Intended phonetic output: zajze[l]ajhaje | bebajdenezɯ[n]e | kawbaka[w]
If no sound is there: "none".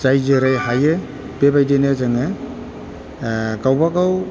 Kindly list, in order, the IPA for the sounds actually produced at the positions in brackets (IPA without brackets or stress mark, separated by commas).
ɾ, ŋ, w